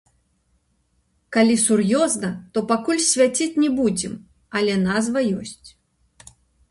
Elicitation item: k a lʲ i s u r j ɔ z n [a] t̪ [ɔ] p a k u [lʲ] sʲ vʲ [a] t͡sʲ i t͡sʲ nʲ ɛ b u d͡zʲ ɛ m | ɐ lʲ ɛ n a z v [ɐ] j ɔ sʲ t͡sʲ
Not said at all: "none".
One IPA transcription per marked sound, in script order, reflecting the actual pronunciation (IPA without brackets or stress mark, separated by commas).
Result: ɐ, ɔ, lʲ, a, ɐ